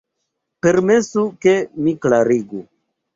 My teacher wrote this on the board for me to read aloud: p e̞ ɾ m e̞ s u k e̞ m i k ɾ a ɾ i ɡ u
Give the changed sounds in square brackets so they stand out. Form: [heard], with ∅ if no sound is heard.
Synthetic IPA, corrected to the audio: p e̞ ɾ m e̞ s u k e̞ m i k [l] a ɾ i ɡ u